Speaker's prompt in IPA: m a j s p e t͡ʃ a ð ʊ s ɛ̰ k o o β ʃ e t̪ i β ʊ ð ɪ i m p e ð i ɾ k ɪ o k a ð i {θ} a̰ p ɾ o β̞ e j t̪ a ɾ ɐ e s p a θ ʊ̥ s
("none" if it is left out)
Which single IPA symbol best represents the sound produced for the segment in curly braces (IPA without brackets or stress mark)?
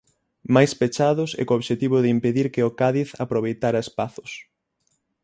θ